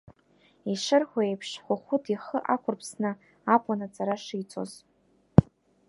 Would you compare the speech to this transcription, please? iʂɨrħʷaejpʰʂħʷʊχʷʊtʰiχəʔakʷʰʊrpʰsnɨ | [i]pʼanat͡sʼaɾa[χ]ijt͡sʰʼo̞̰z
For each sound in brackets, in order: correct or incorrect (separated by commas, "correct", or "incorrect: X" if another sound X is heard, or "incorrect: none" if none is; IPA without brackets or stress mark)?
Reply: incorrect: a, incorrect: ʂ